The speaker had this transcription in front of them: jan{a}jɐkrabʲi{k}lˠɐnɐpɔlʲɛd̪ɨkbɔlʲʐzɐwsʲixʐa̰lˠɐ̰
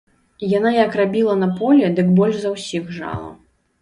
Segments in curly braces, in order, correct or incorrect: correct, incorrect

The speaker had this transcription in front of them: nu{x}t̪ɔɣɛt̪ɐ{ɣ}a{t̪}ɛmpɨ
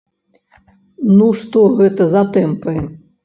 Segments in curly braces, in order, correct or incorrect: incorrect, incorrect, correct

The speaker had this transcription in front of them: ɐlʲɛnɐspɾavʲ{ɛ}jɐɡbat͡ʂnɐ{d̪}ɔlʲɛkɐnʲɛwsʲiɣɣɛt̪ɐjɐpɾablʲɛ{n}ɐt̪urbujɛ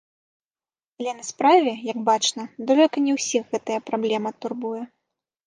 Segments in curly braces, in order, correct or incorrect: correct, correct, incorrect

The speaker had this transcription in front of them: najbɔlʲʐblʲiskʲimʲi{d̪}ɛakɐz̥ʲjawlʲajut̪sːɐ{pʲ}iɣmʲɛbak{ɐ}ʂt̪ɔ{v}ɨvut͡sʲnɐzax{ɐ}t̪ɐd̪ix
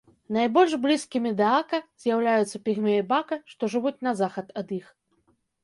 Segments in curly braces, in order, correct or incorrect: correct, correct, correct, incorrect, correct

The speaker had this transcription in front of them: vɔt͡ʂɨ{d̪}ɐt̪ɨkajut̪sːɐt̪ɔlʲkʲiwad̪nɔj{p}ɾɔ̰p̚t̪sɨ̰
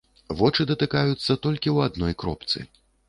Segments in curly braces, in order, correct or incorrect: correct, incorrect

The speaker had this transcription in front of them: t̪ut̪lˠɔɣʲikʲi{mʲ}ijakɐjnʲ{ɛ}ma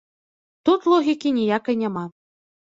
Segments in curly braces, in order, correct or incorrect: incorrect, incorrect

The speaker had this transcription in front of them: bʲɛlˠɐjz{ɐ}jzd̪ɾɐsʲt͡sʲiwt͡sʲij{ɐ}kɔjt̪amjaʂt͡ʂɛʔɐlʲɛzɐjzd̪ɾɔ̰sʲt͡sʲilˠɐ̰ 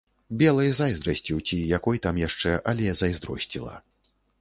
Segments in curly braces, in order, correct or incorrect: incorrect, incorrect

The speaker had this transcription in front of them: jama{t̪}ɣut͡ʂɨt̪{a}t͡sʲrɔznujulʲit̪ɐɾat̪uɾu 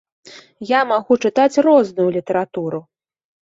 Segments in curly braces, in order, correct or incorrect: incorrect, correct

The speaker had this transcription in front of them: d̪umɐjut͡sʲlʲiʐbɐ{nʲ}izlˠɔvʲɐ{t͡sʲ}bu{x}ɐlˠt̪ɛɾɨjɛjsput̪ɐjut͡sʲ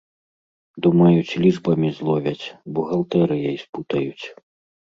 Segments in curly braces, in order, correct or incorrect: incorrect, correct, incorrect

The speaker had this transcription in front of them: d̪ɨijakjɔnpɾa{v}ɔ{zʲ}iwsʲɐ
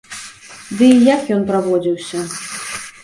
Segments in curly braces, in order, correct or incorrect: correct, incorrect

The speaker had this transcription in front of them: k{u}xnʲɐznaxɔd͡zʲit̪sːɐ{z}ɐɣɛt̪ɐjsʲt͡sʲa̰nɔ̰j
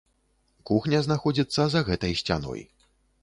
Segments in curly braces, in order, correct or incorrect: correct, correct

